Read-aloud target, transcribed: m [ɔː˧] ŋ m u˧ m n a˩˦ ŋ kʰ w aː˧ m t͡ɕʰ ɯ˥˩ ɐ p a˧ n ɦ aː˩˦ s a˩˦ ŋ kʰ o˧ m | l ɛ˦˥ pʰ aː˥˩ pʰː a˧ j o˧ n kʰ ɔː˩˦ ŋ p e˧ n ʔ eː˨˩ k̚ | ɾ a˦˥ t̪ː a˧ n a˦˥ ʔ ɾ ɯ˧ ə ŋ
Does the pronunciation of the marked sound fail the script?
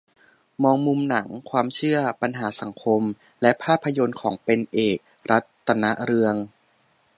no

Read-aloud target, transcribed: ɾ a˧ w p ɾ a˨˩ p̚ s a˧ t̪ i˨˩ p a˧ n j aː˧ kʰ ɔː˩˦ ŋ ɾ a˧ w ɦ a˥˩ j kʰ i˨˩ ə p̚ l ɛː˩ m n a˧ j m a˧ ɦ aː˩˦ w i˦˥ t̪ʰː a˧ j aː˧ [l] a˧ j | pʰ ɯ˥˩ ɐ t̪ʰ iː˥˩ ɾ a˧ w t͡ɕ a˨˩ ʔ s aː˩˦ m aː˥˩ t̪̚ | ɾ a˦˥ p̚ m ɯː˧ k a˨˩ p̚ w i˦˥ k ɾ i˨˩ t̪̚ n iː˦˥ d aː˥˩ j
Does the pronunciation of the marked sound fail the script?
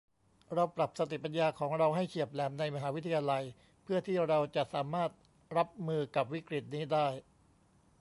no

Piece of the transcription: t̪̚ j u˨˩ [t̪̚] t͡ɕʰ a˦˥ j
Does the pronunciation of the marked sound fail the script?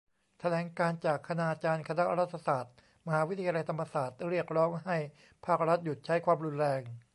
no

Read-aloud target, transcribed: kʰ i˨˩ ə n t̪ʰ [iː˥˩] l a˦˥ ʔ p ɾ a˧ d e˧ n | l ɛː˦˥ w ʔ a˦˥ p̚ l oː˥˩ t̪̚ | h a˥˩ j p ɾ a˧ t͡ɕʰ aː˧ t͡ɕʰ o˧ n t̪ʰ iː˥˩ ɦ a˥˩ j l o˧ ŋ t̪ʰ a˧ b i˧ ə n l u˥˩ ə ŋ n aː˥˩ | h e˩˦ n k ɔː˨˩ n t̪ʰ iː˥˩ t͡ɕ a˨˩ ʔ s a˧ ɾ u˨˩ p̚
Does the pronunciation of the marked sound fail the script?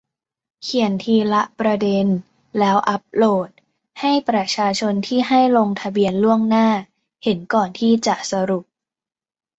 yes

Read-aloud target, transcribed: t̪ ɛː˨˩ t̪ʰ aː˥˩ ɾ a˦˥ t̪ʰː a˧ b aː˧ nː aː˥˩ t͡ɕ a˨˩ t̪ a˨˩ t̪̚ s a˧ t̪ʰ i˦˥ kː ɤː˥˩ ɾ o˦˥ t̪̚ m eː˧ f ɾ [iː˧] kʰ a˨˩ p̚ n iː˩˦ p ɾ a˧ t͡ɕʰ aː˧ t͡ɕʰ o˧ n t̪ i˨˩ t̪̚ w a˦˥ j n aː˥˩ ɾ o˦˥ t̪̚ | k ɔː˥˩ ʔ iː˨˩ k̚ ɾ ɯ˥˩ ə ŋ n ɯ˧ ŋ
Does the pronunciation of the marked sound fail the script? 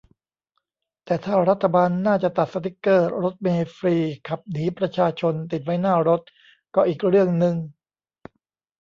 no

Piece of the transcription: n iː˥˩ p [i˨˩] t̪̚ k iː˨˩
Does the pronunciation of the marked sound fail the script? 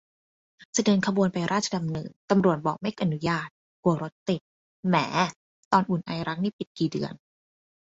no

